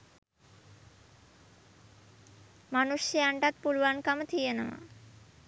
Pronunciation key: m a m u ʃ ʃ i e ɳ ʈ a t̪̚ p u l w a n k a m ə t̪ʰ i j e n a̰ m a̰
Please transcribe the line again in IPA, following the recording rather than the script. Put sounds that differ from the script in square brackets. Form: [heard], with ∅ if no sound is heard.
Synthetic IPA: m a [n] u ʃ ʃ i [a] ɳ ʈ a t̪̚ p u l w a n k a m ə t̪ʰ i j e n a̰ m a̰